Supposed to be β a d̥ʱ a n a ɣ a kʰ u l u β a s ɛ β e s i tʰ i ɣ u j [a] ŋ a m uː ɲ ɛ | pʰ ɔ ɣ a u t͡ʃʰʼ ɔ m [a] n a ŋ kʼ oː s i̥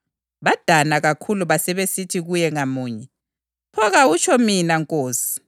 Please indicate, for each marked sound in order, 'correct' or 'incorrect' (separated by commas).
incorrect, incorrect